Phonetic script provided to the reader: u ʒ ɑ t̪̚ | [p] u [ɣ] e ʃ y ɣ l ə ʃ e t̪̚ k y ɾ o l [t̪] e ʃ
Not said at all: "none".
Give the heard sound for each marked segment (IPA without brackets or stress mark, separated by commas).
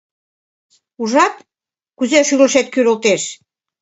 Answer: k, z, t̪